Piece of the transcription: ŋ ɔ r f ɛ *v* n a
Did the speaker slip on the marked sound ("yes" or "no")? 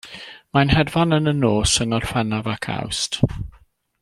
yes